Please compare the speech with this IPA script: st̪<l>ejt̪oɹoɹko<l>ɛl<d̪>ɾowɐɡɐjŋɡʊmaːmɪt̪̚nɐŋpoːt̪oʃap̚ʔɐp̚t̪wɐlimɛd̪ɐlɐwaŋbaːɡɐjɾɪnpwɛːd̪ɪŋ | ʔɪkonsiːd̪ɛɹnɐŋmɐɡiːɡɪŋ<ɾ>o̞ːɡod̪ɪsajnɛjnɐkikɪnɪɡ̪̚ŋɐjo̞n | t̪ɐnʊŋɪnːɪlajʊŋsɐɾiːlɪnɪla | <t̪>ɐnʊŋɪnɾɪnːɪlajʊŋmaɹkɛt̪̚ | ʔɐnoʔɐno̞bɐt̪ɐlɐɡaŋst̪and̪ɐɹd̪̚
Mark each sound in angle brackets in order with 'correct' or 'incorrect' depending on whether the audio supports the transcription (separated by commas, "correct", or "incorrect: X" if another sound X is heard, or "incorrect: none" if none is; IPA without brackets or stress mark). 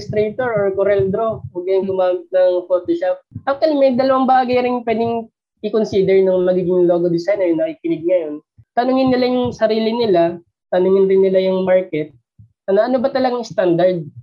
incorrect: ɾ, incorrect: ɾ, correct, incorrect: l, correct